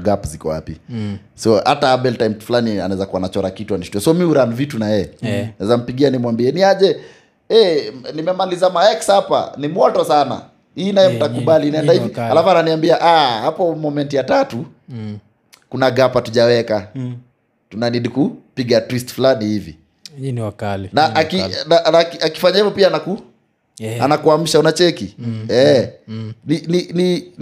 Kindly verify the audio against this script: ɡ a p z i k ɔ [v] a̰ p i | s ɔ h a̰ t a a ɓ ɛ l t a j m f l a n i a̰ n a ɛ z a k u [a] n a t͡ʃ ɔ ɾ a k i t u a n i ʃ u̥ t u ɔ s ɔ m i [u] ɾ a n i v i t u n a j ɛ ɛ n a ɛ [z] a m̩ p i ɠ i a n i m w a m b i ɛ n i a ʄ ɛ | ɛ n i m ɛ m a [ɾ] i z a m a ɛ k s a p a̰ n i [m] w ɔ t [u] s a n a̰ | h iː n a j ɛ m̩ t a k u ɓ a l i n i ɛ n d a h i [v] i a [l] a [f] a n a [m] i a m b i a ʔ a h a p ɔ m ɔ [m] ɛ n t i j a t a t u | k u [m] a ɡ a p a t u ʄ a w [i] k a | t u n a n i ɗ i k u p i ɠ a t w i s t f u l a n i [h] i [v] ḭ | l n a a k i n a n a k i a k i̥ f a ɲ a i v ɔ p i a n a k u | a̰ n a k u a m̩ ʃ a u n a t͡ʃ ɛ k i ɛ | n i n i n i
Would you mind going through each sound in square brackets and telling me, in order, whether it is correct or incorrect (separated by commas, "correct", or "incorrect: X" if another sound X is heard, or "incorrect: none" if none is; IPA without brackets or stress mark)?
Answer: incorrect: w, correct, correct, correct, incorrect: l, correct, incorrect: ɔ, correct, correct, correct, incorrect: n, correct, incorrect: n, incorrect: ɛ, correct, correct